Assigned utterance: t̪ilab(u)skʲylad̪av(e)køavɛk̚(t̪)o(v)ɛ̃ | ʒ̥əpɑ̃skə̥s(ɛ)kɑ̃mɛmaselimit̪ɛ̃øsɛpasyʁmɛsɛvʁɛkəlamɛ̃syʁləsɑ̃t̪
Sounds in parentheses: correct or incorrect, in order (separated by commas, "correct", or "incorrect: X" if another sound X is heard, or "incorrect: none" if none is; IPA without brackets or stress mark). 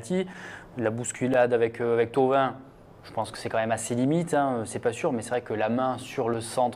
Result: correct, incorrect: ɛ, correct, correct, correct